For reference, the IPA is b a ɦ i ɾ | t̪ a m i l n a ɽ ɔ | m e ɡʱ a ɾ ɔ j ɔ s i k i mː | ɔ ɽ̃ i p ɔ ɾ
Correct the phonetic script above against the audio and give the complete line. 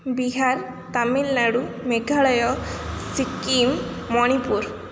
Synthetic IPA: b i ɦ a ɾ | t̪ a m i l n a ɽ u | m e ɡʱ a ɭ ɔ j ɔ s i k i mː | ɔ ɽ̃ i p u ɾ